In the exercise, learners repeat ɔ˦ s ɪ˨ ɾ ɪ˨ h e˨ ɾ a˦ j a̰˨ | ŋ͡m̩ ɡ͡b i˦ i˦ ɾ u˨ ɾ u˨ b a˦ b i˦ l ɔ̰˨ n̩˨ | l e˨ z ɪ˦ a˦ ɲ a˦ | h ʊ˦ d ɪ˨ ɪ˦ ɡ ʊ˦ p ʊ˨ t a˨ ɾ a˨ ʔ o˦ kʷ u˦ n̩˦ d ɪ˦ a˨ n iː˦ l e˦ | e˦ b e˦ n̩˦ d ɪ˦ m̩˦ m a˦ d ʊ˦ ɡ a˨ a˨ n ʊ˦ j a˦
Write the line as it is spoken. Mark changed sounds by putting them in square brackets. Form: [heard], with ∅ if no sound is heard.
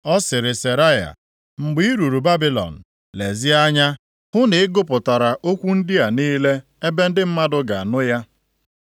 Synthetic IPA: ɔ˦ s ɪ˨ ɾ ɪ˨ [s] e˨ ɾ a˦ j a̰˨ | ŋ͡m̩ ɡ͡b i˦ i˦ ɾ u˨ ɾ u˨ b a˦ b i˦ l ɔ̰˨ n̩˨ | l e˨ z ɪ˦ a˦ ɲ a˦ | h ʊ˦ [n] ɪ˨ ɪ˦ ɡ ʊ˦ p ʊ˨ t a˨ ɾ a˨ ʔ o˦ kʷ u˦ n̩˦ d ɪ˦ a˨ n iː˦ l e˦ | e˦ b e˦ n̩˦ d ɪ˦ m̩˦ m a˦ d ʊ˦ ɡ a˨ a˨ n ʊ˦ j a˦